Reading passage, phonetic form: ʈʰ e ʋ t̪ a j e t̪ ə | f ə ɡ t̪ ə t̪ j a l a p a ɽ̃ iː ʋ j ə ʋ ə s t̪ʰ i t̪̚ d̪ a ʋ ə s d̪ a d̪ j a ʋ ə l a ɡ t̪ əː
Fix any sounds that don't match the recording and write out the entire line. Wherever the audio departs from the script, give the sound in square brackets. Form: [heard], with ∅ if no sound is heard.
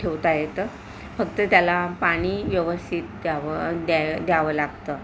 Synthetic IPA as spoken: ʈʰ e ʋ t̪ a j e t̪ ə | f ə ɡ t̪ ə t̪ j a l a p a ɽ̃ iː ʋ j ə ʋ ə s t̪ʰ i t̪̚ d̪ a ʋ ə [∅] d̪ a d̪ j a ʋ ə l a ɡ t̪ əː